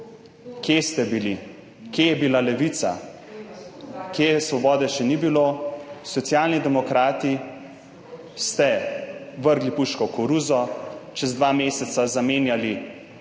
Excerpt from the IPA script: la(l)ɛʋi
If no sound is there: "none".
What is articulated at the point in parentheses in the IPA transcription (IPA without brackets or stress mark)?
l